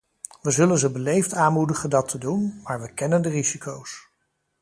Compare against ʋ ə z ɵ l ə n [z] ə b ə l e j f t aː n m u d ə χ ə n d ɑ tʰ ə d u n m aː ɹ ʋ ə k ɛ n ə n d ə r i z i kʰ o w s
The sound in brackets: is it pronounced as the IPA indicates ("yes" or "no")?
yes